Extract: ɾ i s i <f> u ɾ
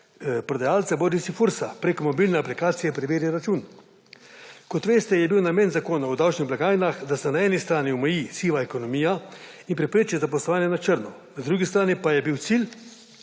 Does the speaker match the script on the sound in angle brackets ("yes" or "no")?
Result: yes